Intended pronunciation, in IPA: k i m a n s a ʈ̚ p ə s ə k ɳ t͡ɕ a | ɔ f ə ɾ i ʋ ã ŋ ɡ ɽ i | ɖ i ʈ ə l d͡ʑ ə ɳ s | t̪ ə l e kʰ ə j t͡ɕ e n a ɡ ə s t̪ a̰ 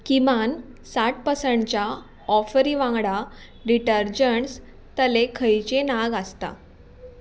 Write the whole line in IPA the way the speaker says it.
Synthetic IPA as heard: k i m a n s a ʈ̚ p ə s ə ɳ t͡ɕ a | ɔ f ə ɾ i ʋ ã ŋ ɡ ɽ a | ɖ i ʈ ə ɾ d͡ʑ ə ɳ s | t̪ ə l e kʰ ə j t͡ɕ e n a ɡ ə s t̪ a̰